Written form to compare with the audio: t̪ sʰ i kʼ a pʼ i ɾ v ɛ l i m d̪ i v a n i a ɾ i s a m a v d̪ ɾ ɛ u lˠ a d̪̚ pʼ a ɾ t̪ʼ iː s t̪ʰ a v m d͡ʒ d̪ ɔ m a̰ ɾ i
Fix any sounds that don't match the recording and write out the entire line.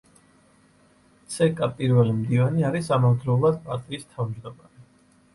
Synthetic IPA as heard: t̪ sʰ ɛ kʼ a pʼ i ɾ v ɛ l i m d̪ i v a n i a ɾ i s a m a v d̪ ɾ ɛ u lˠ a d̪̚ pʼ a ɾ t̪ʼ iː s t̪ʰ a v m d͡ʒ d̪ ɔ m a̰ ɾ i